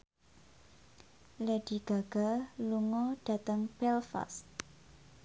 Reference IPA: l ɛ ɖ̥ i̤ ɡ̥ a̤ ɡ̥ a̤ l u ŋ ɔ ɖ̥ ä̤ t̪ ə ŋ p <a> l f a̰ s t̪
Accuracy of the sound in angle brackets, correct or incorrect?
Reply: incorrect